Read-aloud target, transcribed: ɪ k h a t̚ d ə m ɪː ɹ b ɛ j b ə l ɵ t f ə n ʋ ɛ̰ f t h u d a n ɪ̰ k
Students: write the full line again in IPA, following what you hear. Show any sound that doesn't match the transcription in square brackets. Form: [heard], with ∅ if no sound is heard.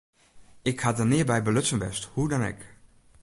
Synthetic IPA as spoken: ɪ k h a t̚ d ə [n] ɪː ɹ b ɛ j b ə l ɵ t [s] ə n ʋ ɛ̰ [s] t h u d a n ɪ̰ k